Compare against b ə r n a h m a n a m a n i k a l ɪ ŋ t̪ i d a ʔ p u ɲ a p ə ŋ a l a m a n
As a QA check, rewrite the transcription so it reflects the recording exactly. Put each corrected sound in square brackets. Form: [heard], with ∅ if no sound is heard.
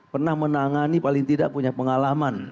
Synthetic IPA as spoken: [p] ə r n a h m [ə] n a [ŋ] a n i [p] a l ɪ ŋ t̪ i d a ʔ p u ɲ a p ə ŋ a l a m a n